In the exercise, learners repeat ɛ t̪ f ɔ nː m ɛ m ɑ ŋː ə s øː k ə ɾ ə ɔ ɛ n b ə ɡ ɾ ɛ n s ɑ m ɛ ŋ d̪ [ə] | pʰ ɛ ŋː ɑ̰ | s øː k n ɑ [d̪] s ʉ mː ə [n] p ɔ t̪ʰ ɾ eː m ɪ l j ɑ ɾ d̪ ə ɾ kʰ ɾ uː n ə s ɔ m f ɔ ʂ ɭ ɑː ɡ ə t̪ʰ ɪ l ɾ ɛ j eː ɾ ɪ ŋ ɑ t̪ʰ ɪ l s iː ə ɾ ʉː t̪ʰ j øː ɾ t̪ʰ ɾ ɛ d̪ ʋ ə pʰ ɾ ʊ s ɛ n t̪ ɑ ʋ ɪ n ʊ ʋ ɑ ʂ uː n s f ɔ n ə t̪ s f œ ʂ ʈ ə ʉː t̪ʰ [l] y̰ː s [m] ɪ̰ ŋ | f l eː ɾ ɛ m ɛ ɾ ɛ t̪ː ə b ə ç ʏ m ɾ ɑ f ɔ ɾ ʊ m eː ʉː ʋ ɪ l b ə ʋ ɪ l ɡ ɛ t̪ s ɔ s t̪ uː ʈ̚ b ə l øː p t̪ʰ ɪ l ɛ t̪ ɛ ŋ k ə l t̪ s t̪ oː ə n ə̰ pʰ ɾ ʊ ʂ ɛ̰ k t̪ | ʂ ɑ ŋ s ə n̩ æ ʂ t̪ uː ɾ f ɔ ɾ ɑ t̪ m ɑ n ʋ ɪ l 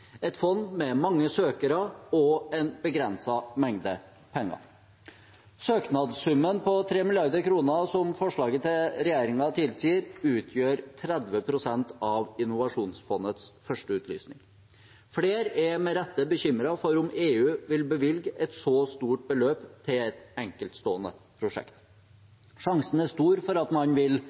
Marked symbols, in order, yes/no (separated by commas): yes, yes, yes, yes, no